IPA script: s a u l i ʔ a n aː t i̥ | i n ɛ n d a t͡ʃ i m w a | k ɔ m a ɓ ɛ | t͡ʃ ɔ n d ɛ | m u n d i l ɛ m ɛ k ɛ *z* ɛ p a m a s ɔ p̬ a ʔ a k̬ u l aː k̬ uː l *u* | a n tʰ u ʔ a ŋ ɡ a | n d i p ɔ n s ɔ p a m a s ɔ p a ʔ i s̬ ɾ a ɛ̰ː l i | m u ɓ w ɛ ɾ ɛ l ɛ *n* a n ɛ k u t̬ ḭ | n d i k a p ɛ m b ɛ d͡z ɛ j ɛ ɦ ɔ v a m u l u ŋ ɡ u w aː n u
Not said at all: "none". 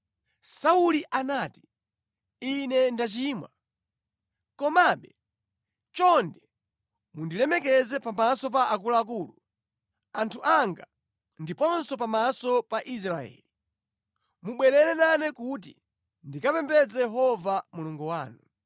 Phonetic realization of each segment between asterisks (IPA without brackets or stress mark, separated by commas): z, u, n